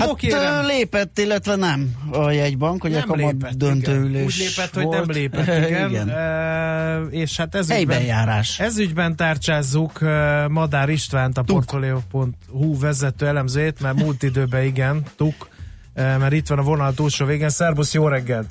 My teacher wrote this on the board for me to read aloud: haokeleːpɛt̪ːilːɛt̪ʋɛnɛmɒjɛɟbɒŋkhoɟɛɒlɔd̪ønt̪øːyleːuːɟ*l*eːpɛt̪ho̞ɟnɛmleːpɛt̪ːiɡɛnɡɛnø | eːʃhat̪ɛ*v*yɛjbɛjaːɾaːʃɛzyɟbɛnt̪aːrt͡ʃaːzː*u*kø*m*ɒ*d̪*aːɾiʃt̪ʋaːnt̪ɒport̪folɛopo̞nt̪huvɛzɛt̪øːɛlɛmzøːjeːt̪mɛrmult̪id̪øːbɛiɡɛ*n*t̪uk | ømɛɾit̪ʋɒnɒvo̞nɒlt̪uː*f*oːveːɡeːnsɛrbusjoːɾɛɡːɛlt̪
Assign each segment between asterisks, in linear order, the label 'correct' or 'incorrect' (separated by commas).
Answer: correct, incorrect, correct, correct, correct, correct, incorrect